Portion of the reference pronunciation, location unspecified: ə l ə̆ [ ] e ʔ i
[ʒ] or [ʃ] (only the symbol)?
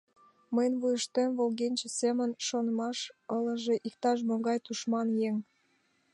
ʒ